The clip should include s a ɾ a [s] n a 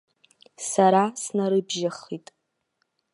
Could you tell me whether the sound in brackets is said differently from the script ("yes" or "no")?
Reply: no